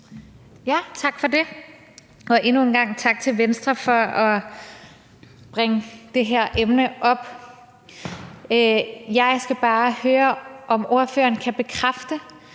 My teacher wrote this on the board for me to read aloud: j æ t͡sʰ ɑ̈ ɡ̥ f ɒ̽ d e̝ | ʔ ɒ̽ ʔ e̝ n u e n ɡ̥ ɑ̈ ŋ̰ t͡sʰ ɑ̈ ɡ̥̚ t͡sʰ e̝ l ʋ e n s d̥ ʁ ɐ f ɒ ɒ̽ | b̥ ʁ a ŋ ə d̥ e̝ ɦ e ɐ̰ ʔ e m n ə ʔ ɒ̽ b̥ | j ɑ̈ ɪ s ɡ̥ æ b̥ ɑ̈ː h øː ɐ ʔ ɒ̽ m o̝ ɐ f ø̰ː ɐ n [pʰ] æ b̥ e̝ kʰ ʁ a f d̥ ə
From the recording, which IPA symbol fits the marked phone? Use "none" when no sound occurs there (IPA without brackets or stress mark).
kʰ